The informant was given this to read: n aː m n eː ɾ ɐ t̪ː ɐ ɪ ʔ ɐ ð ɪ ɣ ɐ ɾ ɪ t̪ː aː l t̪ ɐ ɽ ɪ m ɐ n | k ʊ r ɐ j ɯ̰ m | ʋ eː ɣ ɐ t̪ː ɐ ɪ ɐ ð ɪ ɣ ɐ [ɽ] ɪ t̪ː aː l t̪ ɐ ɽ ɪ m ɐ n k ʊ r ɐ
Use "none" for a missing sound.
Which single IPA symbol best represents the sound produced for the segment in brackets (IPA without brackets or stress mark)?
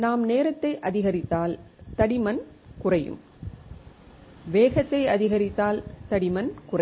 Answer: ɾ